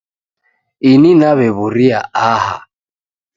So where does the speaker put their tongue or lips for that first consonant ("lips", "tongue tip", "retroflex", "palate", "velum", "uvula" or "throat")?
tongue tip